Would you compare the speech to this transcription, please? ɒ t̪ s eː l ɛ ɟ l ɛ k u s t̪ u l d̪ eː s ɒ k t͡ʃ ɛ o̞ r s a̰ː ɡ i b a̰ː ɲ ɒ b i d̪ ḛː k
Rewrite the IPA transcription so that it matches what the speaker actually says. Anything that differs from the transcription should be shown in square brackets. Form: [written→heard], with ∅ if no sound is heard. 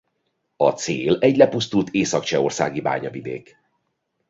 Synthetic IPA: ɒ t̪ s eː l ɛ ɟ l ɛ [k→p] u s t̪ u l [d̪→t̪] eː s ɒ k t͡ʃ ɛ o̞ r s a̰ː ɡ i b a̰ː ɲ ɒ [b→v] i d̪ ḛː k